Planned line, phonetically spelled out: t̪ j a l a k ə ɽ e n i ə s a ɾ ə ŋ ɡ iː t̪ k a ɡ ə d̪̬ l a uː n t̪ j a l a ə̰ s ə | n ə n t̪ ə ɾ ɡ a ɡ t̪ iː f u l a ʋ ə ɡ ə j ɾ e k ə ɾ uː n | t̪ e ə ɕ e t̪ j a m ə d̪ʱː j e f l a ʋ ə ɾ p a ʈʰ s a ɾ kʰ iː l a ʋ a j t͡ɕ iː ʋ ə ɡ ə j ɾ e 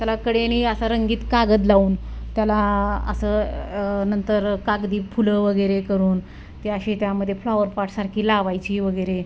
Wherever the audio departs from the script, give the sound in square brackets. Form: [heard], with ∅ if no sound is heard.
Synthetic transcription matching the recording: t̪ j a l a k ə ɽ e n i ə s a ɾ ə ŋ ɡ iː t̪ k a ɡ ə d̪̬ l a uː n t̪ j a l a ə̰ s ə | n ə n t̪ ə ɾ [k] a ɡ [d̪] iː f u l [ə] ʋ ə ɡ ə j ɾ e k ə ɾ uː n | t̪ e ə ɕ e t̪ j a m ə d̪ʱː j e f l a ʋ ə ɾ p a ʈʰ s a ɾ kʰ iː l a ʋ a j t͡ɕ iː ʋ ə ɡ ə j ɾ e